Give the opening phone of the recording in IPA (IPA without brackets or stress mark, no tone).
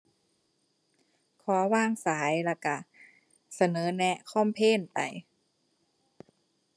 kʰ